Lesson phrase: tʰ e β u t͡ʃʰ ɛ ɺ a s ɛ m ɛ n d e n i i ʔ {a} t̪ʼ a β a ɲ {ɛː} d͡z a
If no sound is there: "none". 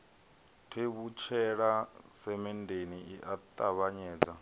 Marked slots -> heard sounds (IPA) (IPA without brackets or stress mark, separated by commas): a, ɛː